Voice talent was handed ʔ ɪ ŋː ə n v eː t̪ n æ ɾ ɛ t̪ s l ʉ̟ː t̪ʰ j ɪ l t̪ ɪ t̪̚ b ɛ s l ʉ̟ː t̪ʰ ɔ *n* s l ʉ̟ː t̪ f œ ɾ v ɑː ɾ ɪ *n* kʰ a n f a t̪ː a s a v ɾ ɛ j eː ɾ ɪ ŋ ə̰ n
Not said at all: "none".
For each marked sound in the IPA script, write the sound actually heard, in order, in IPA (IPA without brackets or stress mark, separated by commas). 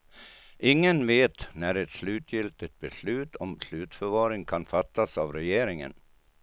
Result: m, ŋ